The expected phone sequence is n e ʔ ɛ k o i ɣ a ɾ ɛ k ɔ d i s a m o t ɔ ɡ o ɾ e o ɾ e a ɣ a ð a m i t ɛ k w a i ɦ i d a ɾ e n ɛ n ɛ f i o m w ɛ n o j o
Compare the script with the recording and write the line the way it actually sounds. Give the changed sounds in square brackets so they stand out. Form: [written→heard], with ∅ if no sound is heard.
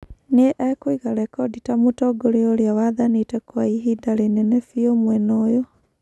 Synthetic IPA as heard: n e ʔ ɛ k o i ɣ a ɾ ɛ k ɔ d i [s→t] a m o t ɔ ɡ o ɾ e o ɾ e a [ɣ→w] a ð a [m→n] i t ɛ k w a i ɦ i d a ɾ e n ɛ n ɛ f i o m w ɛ n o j o

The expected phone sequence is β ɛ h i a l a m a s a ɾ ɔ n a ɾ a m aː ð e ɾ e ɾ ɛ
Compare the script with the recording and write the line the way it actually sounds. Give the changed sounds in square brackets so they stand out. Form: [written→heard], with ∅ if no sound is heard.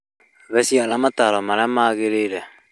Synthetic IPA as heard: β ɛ [h→s] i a l a m a [s→t] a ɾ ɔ [n→m] a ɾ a m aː [ð→ɣ] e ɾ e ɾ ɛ

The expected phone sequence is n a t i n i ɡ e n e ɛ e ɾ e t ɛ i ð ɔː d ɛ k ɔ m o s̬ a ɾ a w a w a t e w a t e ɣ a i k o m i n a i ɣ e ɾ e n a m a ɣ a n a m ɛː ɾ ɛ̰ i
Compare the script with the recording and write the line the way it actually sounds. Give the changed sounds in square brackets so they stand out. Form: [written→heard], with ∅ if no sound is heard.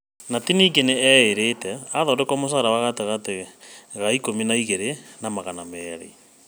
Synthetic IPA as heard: n a t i n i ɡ e n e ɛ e ɾ e t ɛ [i→a] ð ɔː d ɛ k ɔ m o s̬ a ɾ a w a [w→ɣ] a t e [w→ɣ] a t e ɣ a i k o m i n a i ɣ e ɾ e n a m a ɣ a n a m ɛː ɾ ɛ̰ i

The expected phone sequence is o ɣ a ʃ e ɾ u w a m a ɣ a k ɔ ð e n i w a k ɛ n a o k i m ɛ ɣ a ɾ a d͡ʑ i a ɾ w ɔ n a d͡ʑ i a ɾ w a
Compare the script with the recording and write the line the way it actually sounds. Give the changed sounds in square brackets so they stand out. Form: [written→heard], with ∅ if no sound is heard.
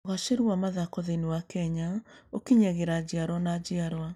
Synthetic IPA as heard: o ɣ a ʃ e ɾ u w a m a [ɣ→ð] a k ɔ ð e n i w a k ɛ [n→ɲ] a o k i [m→ɲ] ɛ ɣ [a→e] ɾ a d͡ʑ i a ɾ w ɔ n a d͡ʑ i a ɾ w a

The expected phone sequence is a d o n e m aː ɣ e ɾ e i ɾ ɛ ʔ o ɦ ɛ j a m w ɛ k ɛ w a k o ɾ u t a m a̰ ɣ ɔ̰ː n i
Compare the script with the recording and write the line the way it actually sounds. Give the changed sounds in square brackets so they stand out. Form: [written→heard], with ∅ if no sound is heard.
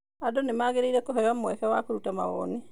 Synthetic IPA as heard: a d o n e m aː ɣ e ɾ e i ɾ ɛ [ʔ→k] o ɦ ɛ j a m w ɛ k ɛ w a k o ɾ u t a m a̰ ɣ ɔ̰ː n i

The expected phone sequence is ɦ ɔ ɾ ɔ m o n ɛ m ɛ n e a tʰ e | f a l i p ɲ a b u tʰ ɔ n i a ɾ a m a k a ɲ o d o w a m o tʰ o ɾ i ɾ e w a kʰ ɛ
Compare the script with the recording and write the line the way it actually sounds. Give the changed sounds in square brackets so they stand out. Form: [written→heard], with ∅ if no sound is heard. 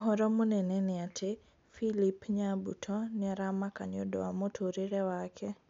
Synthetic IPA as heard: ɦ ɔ ɾ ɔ m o n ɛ [m→n] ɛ n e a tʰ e | f [a→i] l i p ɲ a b u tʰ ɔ n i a ɾ a m a k a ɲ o d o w a m o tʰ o ɾ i ɾ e w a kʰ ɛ

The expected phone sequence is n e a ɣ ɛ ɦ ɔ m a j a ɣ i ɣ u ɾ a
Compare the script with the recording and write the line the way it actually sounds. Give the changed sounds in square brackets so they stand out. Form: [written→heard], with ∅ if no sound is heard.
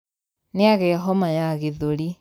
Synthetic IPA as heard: n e a ɣ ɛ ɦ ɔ m a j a ɣ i [ɣ→ð] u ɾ [a→i]

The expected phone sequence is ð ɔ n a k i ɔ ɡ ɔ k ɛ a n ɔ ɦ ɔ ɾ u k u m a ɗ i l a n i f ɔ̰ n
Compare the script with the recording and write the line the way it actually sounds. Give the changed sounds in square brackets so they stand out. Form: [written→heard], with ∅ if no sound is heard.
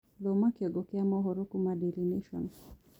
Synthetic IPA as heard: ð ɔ [n→m] a k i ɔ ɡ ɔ k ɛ a [n→m] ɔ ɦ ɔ ɾ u k u m a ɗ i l [a→i] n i [f→ʃ] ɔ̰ n

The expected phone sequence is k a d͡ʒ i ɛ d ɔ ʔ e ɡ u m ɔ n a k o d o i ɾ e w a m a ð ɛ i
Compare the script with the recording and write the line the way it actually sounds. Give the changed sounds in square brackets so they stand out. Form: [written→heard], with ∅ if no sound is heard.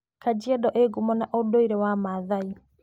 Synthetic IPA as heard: k a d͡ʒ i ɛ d ɔ ʔ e ɡ u m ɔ n a [k→ʔ] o d o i ɾ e w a m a ð [ɛ→a] i

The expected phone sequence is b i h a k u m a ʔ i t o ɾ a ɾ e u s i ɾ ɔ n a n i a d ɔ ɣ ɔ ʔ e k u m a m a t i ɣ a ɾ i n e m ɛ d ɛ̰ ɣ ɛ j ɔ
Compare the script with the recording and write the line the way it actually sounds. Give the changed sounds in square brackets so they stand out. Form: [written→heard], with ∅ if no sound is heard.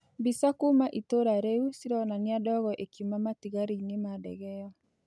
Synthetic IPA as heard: b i [h→s] a k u m a ʔ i t o ɾ a ɾ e u s i ɾ ɔ n a n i a d ɔ ɣ ɔ ʔ e k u m a m a t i ɣ a ɾ i n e m [ɛ→a] d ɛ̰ ɣ ɛ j ɔ

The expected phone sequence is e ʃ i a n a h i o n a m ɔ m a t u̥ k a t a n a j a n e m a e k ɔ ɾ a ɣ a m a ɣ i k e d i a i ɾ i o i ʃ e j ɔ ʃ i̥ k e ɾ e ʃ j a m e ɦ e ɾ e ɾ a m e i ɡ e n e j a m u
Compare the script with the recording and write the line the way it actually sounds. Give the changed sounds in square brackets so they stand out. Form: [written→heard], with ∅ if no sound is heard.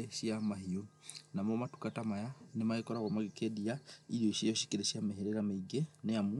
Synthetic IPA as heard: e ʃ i a [n→m] a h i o n a m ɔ m a t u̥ k a t a [n→m] a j a n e m a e k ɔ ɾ a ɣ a m a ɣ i k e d i a i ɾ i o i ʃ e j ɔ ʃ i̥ k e ɾ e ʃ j a m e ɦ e ɾ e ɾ a m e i ɡ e n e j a m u

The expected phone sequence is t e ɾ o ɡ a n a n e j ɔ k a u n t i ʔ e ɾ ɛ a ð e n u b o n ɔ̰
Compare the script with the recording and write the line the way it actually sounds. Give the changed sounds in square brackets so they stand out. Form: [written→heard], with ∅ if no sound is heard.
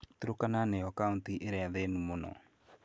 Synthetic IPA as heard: t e ɾ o [ɡ→k] a n a n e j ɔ k a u n t i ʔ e ɾ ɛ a ð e n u [b→m] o n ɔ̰

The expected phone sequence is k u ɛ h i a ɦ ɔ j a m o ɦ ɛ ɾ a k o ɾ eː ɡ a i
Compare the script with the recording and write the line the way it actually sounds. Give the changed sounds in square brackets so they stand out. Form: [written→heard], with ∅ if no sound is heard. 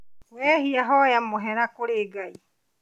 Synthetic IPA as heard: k [u→w] ɛ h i a ɦ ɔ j a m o ɦ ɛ ɾ a k o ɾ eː ɡ a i

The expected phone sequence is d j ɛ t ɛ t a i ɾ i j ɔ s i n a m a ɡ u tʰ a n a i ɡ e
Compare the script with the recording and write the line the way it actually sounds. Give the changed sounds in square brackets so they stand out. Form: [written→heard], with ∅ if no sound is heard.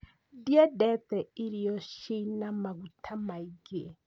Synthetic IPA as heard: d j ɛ [t→d] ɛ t [a→ɛ] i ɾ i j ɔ [s→ʃ] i n a m a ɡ u tʰ a [n→m] a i ɡ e

